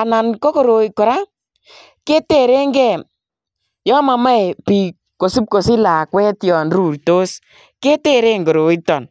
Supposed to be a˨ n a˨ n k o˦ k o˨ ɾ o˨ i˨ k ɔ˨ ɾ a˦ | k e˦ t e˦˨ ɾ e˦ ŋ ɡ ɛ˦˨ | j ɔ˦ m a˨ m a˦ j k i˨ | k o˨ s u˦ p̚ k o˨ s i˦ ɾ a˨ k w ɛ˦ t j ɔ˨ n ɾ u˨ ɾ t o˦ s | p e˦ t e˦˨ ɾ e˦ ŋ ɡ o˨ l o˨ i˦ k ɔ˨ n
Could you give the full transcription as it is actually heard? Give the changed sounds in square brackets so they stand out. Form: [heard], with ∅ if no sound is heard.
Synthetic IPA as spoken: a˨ n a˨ n k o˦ k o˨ ɾ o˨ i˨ k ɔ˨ ɾ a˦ | k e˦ t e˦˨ ɾ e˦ ŋ ɡ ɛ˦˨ | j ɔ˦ m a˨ m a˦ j [p] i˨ | k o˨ s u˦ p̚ k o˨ s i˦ [l] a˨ k w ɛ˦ t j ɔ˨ n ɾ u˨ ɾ t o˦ s | [k] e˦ t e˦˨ ɾ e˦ ŋ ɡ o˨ [ɾ] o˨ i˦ [t] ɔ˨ n